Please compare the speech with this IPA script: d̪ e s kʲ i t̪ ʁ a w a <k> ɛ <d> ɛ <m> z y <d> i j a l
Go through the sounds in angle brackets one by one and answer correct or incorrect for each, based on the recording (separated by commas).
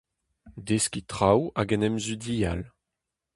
incorrect, incorrect, correct, correct